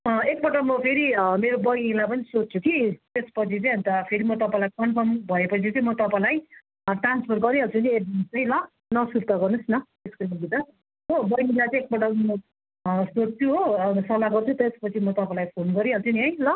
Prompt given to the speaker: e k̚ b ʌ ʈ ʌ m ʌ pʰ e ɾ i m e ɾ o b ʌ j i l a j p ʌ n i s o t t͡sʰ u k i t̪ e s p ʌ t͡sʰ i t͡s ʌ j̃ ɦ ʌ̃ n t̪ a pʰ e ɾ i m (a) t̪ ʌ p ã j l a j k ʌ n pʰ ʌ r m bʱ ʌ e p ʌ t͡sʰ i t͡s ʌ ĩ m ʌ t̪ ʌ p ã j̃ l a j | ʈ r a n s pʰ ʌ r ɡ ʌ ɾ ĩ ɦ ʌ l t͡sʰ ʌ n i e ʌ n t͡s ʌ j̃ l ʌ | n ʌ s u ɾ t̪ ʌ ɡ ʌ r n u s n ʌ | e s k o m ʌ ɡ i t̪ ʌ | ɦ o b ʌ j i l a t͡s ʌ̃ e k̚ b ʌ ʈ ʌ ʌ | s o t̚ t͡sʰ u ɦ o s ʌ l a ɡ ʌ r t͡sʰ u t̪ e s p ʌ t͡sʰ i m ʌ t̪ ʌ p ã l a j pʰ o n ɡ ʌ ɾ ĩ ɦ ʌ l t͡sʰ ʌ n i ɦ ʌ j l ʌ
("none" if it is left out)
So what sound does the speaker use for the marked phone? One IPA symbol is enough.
ʌ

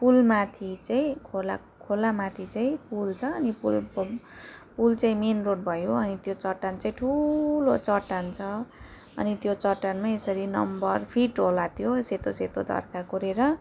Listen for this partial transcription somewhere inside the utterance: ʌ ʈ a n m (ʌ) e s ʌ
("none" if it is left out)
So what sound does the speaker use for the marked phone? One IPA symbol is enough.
a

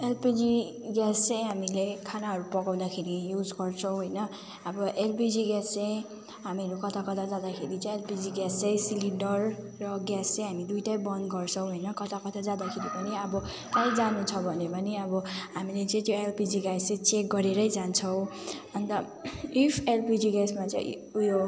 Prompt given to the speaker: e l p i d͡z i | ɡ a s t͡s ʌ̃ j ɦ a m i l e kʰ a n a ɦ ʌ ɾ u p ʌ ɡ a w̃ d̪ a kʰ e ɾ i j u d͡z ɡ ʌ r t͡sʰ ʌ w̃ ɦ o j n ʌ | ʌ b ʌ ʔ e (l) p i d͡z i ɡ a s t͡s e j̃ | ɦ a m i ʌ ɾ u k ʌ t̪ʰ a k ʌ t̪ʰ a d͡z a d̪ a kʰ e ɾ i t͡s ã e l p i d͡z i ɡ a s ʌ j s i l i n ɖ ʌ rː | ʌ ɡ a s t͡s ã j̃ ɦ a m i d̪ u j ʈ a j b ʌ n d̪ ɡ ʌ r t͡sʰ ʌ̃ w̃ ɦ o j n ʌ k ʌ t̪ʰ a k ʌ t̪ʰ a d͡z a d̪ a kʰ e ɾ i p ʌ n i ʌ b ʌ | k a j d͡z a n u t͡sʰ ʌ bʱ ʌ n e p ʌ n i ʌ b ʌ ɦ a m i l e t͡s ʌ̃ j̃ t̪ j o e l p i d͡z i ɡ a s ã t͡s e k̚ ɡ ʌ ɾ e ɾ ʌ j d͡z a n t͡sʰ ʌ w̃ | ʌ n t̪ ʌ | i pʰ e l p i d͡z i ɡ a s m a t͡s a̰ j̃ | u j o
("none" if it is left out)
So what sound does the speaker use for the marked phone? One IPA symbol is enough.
l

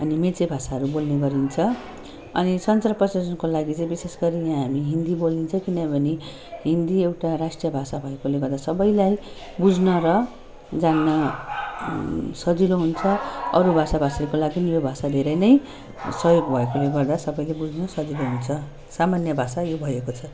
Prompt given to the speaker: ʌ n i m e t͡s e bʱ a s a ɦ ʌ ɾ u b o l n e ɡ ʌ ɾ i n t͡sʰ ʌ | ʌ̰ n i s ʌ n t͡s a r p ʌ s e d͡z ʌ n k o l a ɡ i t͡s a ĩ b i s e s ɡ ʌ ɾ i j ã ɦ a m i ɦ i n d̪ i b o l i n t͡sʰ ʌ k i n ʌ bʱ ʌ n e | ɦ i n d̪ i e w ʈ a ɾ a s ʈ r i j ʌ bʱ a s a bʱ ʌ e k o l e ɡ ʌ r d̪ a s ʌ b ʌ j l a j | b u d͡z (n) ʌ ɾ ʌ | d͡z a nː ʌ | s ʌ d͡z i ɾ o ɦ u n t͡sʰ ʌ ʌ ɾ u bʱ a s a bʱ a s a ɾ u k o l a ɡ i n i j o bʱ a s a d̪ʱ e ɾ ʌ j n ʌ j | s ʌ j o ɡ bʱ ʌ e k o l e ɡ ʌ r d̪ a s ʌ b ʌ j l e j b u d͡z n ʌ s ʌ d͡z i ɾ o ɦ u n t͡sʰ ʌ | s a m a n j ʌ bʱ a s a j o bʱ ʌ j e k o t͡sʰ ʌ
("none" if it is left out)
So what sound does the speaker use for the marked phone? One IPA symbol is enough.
n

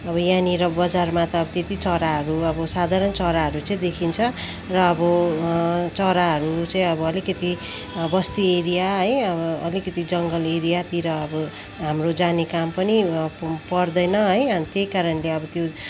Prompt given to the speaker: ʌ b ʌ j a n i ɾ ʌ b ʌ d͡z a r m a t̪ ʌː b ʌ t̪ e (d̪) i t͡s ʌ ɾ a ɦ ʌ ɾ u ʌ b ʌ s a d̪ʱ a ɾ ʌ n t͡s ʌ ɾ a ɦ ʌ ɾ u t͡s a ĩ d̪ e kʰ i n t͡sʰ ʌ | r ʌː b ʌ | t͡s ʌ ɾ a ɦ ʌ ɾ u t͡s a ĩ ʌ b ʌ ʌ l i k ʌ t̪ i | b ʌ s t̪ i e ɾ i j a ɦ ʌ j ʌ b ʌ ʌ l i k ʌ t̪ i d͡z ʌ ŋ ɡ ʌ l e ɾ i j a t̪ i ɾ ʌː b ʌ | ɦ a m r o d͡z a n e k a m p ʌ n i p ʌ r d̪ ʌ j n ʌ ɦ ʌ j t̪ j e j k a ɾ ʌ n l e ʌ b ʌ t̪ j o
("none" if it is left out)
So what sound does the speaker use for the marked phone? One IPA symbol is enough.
t̪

